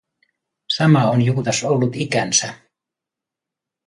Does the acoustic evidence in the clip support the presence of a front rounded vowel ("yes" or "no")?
no